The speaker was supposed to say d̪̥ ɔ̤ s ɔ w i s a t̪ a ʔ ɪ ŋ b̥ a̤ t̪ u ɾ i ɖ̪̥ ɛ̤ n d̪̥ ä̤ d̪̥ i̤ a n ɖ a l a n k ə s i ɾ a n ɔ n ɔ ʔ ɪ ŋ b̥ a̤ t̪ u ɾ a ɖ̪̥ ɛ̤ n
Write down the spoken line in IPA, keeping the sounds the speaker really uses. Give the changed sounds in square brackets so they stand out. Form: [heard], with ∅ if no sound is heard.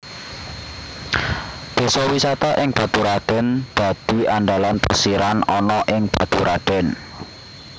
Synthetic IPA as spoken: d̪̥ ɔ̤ s ɔ w i s a t̪ a ʔ ɪ ŋ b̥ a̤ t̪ u ɾ [a] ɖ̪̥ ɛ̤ n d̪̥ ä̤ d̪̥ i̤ a n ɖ a l a n [p] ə s i ɾ a n ɔ n ɔ ʔ ɪ ŋ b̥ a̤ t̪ u ɾ a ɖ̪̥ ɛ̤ n